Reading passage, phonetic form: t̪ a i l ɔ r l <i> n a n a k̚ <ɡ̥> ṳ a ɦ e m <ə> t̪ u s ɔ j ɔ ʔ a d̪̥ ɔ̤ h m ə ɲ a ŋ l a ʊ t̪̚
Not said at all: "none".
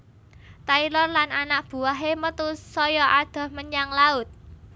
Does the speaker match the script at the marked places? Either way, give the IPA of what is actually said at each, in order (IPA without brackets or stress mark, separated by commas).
a, b̥, ə